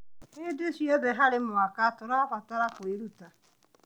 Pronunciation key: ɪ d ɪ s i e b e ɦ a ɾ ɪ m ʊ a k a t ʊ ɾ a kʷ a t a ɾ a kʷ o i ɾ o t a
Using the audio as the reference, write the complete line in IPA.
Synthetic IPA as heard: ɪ d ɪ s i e b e ɦ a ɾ ɪ m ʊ a k a t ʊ ɾ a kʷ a t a ɾ a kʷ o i ɾ u t a